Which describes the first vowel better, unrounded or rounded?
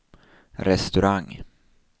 unrounded